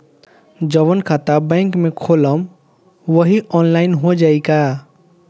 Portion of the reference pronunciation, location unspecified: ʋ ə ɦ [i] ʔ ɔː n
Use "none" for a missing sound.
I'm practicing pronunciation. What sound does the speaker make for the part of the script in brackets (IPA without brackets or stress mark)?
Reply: i